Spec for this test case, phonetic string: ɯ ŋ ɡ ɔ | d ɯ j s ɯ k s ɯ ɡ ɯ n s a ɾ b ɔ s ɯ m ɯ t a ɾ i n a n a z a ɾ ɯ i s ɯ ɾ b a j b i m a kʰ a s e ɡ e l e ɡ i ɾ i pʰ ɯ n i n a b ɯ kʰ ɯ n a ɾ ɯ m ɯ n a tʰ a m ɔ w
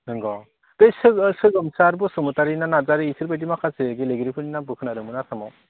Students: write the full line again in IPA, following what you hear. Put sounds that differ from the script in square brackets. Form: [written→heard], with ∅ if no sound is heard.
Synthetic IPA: ɯ ŋ ɡ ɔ | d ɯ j s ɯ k s ɯ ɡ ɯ [n→m] s a ɾ b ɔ s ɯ m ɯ t a ɾ i n a n a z a ɾ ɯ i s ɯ ɾ b a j [b→d] i m a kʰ a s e ɡ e l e ɡ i ɾ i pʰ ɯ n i n a b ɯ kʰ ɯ n a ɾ ɯ m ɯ n a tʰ a m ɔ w